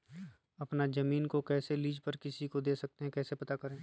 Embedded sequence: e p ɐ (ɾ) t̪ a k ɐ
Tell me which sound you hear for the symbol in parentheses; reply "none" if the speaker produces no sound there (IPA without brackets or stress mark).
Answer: none